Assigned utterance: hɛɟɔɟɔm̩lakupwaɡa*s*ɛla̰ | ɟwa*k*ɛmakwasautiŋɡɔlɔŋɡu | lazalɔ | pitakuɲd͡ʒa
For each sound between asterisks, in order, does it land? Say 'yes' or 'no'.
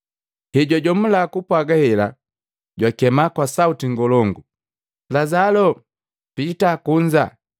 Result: no, yes

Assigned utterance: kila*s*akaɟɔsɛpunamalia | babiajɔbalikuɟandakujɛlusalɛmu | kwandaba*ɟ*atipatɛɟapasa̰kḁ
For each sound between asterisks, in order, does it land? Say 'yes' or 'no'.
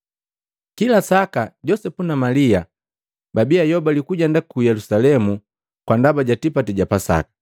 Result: yes, yes

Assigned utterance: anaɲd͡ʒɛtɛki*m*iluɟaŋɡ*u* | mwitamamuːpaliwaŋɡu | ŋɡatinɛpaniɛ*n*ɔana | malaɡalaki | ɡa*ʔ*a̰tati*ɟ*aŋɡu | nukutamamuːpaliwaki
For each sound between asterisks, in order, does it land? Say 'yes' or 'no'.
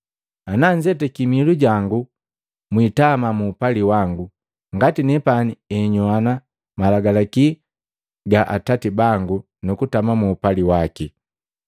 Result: yes, yes, no, yes, no

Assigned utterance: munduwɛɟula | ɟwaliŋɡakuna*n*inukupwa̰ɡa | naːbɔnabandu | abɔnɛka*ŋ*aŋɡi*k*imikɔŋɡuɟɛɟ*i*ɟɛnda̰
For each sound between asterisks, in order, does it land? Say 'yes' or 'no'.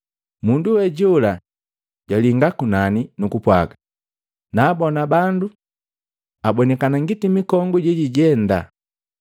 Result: yes, no, no, yes

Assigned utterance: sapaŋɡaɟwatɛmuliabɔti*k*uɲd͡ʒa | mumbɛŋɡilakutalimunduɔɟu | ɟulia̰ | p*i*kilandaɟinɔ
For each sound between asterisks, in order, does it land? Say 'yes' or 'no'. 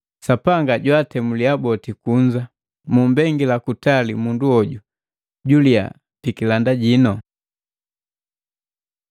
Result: yes, yes

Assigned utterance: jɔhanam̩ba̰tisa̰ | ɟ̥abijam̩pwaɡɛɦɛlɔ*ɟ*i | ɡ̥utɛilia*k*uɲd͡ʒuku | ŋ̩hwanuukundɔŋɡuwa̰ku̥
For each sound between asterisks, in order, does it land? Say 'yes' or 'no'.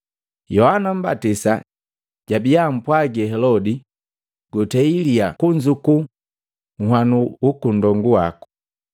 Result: no, yes

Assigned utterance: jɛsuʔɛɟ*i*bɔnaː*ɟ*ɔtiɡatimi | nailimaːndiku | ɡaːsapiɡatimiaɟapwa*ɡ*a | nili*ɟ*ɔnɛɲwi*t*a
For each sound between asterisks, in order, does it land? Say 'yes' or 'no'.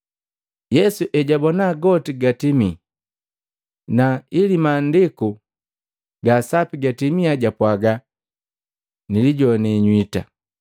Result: no, no, yes, yes, yes

